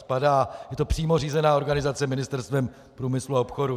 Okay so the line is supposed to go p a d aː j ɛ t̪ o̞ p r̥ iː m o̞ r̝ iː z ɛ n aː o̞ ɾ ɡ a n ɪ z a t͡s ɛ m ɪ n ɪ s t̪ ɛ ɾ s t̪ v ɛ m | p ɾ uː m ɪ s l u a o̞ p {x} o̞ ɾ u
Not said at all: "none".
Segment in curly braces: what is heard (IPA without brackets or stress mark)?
x